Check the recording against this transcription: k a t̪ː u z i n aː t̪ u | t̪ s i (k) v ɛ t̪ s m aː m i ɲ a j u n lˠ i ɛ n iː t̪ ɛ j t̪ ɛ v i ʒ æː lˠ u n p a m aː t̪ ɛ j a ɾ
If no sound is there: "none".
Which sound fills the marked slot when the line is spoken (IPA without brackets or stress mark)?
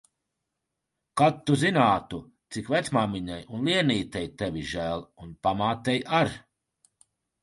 k